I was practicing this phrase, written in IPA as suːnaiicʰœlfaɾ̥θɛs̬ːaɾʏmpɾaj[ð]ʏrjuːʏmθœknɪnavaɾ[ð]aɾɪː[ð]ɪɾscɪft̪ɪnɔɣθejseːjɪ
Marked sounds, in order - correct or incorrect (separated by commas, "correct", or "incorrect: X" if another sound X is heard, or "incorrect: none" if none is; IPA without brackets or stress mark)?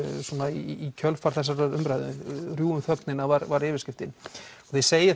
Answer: correct, incorrect: v, incorrect: v